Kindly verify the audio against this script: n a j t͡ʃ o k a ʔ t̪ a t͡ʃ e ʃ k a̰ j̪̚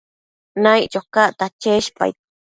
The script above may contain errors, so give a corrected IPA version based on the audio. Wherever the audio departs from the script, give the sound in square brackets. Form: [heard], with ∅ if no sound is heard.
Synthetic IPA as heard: n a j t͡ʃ o k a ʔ t̪ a t͡ʃ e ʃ [p] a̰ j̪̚